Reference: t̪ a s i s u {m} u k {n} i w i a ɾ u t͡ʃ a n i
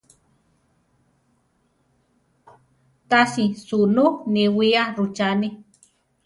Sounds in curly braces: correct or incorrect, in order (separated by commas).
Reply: incorrect, correct